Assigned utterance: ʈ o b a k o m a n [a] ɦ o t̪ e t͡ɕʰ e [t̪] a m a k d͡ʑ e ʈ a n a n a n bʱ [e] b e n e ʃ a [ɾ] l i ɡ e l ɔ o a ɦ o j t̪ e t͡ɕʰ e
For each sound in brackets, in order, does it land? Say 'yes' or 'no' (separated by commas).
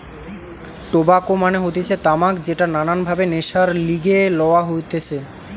no, yes, no, yes